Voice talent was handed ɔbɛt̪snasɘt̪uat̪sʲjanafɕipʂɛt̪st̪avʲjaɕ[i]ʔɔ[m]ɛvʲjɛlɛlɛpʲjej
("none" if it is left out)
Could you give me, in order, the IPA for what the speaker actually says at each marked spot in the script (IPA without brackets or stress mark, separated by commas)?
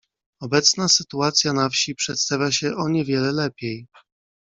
ɛ, ɲ